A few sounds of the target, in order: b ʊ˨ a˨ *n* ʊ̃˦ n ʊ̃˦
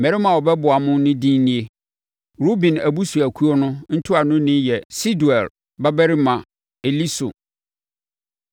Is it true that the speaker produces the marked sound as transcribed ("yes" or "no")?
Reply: no